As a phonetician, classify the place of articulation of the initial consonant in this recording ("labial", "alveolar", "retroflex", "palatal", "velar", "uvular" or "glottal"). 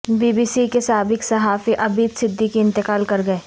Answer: labial